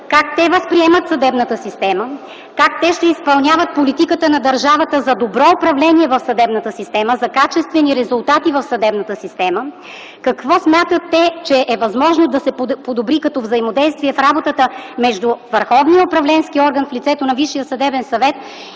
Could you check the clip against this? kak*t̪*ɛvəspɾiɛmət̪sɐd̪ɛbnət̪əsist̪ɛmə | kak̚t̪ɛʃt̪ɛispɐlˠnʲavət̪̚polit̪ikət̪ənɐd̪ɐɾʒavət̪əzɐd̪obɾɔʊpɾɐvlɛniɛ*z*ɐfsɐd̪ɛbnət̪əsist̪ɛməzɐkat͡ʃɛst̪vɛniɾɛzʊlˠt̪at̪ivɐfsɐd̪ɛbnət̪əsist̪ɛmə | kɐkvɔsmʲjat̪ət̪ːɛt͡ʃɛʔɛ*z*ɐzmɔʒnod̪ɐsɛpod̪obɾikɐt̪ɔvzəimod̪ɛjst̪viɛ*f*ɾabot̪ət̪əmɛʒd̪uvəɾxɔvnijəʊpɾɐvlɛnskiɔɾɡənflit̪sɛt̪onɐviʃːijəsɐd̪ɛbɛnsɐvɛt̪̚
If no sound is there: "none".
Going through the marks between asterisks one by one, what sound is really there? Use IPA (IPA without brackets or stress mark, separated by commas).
t̪, v, v, f